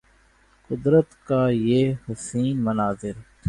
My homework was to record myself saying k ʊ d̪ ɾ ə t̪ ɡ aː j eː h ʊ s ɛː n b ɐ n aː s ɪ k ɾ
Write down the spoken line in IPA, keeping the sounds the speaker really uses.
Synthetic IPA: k ʊ d̪ ɾ ə t̪ k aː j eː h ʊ s iː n m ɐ n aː z ɪ ɾ